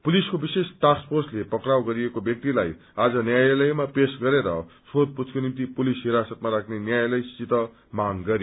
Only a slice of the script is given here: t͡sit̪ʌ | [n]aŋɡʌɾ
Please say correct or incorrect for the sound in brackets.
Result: incorrect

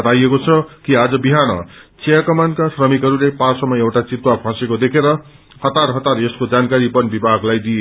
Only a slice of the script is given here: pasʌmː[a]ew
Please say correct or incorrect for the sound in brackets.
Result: incorrect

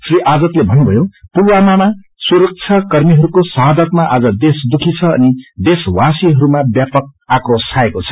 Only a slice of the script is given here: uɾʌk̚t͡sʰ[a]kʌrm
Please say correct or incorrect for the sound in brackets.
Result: incorrect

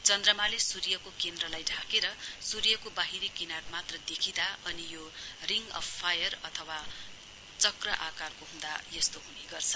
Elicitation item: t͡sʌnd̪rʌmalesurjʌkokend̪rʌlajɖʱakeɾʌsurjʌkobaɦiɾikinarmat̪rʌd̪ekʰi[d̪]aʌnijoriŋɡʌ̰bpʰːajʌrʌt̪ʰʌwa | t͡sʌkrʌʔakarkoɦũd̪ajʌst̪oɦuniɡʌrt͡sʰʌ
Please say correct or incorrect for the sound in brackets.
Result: correct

